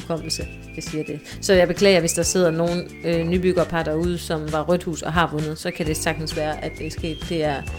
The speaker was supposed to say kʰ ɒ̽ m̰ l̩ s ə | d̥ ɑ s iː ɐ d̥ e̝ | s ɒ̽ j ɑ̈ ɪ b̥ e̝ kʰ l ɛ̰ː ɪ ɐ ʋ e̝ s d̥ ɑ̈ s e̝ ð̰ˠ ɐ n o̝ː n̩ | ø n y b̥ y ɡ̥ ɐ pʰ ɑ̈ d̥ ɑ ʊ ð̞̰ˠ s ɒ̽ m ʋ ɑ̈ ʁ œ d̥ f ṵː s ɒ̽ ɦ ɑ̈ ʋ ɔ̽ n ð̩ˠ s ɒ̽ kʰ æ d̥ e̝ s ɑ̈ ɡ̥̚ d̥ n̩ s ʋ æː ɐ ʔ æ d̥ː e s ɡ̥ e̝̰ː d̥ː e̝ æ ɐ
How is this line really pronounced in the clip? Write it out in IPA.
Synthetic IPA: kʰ ɒ̽ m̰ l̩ s ə | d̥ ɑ s iː ɐ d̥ e̝ | s ɒ̽ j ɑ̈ ɪ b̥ e̝ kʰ l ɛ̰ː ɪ ɐ ʋ e̝ s d̥ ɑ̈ s e̝ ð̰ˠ ɐ n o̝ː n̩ | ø n y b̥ y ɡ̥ ɐ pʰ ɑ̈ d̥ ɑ u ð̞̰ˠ s ɒ̽ m ʋ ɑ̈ ʁ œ d̥ h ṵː s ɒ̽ ɦ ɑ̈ ʋ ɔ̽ n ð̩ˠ s ɒ̽ kʰ æ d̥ e̝ s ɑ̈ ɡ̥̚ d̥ n̩ s ʋ æː ɐ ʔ æ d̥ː e s ɡ̥ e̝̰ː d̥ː e̝ æ ɐ